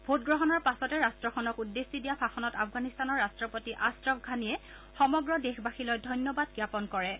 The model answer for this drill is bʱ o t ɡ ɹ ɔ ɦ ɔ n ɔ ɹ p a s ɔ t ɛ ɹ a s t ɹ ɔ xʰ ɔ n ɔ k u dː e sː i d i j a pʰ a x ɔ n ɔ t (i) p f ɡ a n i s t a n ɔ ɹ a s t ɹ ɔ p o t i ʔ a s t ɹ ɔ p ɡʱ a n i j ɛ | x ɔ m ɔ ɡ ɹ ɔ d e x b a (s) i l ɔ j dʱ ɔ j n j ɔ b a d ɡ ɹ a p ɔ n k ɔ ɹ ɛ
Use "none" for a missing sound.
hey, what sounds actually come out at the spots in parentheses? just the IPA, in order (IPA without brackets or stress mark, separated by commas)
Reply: a, x